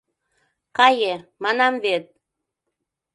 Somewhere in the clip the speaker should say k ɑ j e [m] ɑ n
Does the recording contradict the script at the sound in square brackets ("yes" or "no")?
no